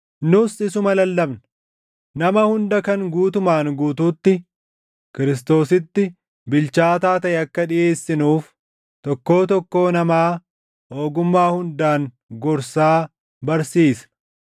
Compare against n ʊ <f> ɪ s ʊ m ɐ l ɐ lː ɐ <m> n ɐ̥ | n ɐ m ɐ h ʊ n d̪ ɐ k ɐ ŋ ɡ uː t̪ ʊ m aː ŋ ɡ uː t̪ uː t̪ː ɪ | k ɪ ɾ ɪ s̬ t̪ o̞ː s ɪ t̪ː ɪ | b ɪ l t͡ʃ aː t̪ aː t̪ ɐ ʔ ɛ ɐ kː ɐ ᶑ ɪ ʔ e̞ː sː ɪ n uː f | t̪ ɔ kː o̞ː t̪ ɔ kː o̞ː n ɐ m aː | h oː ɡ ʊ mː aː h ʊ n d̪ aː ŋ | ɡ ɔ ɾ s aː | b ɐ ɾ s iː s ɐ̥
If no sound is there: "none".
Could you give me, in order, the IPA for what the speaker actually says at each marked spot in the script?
s, b

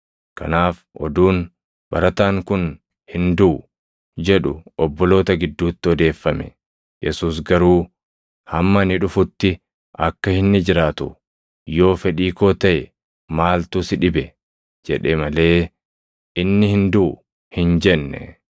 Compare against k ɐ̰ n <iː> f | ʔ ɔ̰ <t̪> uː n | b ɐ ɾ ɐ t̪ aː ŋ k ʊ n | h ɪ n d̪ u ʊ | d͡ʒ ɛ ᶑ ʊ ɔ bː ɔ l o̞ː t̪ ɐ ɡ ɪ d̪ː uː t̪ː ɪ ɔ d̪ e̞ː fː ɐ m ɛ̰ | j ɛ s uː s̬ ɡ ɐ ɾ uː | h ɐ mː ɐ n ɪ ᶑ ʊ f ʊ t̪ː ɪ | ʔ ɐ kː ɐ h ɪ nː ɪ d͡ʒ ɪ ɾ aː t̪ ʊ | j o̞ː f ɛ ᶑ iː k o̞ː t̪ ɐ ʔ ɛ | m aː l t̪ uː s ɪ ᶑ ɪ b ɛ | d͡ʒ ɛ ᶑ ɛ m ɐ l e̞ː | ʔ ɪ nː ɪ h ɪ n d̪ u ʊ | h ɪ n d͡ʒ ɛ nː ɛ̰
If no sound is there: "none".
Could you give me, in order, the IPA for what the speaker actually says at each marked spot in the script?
aː, d̪

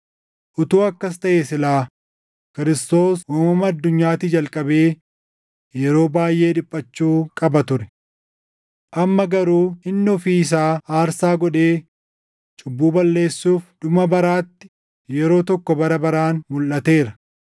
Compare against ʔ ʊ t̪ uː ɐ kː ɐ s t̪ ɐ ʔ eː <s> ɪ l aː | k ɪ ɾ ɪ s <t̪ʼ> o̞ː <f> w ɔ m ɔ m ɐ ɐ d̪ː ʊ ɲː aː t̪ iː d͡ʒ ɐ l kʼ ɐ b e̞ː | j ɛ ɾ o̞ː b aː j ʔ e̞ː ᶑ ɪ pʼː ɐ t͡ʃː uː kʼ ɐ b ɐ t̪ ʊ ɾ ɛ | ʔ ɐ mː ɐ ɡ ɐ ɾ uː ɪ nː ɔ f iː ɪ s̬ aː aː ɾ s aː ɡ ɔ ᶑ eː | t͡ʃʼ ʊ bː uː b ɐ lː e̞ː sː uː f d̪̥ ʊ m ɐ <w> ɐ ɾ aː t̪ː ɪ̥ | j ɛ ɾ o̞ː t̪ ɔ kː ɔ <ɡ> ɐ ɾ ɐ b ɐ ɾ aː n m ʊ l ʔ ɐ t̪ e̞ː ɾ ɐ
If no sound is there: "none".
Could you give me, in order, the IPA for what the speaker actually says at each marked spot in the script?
s, t̪, s, b, b

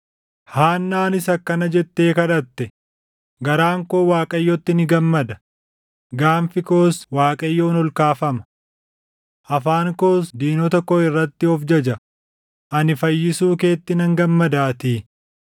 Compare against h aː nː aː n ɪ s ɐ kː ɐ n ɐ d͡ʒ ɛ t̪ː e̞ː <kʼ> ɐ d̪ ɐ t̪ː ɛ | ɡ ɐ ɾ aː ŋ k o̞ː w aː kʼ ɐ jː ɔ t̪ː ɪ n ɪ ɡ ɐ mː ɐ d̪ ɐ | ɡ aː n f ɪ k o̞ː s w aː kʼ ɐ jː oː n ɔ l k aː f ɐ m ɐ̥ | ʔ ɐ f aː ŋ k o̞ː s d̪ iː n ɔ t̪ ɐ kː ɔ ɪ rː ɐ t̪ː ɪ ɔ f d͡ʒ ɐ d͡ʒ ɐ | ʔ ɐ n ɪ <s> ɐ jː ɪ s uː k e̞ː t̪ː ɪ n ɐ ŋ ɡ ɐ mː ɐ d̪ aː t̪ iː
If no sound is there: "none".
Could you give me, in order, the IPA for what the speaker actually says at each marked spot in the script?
k, f

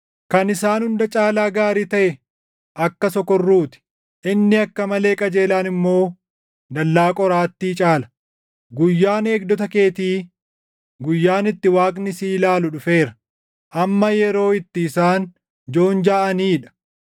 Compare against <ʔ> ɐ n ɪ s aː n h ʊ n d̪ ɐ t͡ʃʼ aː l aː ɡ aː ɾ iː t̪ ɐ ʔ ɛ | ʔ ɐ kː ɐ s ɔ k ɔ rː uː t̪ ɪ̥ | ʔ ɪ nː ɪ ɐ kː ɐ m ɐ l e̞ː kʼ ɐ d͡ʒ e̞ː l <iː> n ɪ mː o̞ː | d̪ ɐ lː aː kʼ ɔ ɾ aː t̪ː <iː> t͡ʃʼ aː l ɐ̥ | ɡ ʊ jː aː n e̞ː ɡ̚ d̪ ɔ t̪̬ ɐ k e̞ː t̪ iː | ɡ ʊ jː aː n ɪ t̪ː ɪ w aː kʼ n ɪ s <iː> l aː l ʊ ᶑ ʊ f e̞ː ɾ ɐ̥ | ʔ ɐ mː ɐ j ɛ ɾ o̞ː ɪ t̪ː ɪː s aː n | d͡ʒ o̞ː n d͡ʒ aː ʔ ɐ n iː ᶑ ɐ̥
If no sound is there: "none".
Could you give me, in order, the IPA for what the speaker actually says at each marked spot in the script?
k, aː, iː, iː

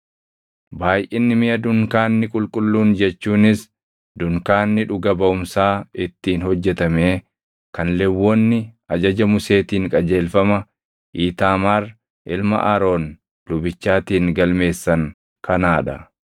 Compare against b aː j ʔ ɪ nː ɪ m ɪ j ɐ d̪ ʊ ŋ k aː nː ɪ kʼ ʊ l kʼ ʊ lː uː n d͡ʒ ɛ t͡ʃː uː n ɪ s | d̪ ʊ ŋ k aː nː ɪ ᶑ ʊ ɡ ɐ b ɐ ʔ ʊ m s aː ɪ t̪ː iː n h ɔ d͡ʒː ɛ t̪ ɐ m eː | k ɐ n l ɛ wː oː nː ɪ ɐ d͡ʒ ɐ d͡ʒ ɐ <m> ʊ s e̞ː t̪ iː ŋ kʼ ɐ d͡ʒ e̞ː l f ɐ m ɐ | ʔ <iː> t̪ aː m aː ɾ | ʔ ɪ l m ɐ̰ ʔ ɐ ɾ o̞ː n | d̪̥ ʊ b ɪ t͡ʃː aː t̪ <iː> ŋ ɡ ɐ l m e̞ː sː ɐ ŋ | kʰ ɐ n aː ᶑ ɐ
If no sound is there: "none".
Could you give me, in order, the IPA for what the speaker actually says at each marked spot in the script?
m, iː, iː

